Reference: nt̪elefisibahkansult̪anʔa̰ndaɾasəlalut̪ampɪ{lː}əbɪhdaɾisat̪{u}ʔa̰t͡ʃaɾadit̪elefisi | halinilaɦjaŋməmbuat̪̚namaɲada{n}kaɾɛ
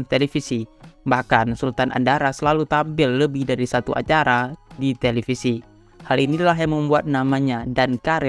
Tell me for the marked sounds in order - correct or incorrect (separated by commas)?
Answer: correct, correct, correct